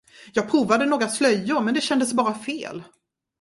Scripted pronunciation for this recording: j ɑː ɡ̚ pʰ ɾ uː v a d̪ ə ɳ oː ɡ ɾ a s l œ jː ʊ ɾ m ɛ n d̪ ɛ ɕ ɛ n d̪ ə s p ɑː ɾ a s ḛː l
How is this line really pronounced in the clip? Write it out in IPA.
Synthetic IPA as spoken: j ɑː ɡ̚ pʰ ɾ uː v a d̪ ə n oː ɡ ɾ a s l œ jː ʊ ɾ m ɛ n d̪ ɛ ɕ ɛ n d̪ ə s b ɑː ɾ a f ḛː l